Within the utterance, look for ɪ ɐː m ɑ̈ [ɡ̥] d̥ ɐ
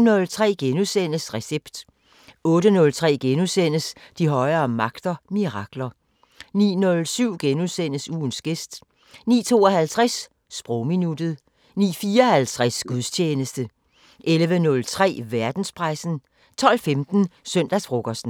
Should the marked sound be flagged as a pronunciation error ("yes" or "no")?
no